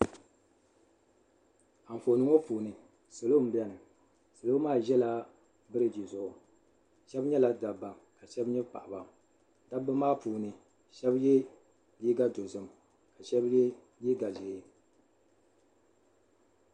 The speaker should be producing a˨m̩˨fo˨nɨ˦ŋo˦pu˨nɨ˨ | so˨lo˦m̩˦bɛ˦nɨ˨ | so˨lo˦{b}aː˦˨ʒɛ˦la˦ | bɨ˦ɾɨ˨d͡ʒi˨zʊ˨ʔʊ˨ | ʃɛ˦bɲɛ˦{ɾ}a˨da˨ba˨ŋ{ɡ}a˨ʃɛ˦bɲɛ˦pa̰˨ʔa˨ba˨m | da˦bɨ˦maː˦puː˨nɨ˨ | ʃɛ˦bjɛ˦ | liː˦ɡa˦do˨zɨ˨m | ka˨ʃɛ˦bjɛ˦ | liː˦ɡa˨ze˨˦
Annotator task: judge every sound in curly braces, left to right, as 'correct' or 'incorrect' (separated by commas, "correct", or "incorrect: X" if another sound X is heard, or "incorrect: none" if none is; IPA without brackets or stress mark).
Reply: incorrect: m, incorrect: l, incorrect: k